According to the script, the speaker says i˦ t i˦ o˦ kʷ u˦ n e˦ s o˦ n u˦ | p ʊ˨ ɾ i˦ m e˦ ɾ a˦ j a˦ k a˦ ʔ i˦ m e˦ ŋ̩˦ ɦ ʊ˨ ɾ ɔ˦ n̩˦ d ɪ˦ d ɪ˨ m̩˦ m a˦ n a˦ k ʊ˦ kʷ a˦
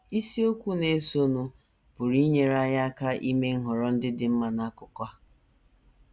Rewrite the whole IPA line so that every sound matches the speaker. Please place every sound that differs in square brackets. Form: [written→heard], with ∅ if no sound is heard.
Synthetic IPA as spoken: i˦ [t→s] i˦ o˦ kʷ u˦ n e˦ s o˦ n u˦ | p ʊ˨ ɾ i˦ [m→ɲ] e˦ ɾ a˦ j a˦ k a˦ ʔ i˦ m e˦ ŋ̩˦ ɦ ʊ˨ ɾ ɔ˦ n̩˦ d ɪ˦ d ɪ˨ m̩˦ m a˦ n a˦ k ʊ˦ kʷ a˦